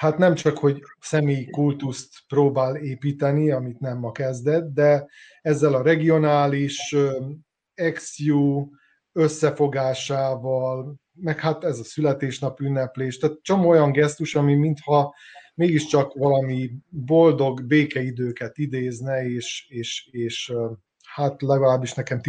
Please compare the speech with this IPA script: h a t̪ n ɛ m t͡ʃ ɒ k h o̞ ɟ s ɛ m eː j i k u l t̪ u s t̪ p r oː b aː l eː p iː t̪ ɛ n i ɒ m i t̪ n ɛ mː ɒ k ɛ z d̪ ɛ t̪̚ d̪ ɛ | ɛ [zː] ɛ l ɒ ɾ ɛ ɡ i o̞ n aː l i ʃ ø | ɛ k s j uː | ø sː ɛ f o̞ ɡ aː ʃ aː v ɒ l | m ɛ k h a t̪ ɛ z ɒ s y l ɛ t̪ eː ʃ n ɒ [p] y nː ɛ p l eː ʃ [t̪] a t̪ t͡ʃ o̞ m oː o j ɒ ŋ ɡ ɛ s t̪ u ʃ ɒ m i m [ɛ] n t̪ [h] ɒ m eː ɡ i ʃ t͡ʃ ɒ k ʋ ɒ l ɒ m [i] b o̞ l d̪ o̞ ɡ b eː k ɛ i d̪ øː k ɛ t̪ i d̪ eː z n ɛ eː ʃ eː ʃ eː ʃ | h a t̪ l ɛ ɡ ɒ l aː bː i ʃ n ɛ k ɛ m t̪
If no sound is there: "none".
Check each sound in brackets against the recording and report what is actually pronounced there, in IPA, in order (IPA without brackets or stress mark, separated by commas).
zː, p, t̪, i, h, i